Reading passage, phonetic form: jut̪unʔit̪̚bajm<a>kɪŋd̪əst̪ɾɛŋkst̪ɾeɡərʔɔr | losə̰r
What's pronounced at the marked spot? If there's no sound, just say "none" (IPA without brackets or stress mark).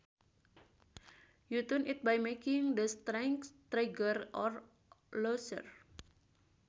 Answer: e